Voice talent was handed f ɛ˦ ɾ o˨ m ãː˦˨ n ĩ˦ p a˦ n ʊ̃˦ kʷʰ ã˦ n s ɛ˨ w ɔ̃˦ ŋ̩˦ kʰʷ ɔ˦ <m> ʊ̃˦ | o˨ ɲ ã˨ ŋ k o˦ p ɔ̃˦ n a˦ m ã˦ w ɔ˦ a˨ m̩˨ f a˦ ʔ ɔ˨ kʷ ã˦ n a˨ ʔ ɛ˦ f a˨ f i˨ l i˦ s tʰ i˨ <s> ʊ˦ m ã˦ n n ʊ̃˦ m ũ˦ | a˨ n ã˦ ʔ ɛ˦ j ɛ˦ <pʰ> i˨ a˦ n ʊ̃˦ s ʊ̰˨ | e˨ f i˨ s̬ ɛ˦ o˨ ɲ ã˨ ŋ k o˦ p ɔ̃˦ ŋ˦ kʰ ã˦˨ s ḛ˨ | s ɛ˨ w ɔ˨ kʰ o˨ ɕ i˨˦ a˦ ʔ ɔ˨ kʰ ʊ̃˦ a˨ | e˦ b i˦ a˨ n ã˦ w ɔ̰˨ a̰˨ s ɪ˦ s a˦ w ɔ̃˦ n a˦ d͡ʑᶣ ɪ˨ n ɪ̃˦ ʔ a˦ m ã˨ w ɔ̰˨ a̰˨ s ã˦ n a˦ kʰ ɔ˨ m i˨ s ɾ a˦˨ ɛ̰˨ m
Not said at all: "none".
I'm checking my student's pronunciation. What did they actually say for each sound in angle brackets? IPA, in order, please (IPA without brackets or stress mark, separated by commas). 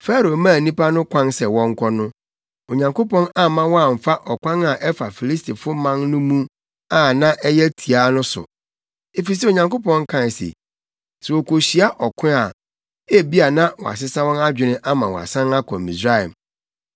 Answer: n, f, tʰ